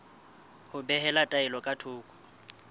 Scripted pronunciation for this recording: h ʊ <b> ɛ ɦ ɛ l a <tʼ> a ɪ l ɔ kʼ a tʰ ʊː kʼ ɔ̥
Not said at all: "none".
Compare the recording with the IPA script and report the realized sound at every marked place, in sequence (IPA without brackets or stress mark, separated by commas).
b, tʼ